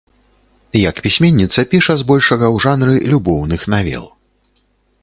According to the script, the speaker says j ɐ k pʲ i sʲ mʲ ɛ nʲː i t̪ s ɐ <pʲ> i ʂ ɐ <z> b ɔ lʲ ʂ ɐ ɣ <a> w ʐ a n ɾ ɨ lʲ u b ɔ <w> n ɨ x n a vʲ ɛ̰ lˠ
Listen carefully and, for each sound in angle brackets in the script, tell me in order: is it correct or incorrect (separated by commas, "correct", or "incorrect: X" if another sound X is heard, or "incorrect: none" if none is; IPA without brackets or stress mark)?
correct, correct, incorrect: ɐ, correct